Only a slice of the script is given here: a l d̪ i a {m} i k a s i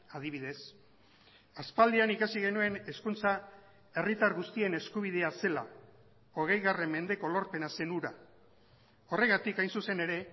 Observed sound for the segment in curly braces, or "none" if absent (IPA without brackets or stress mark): n